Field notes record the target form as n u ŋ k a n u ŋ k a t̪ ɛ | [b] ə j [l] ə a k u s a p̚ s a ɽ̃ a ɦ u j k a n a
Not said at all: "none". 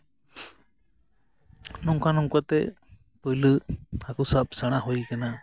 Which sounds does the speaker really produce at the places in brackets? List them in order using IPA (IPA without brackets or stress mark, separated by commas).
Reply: p, l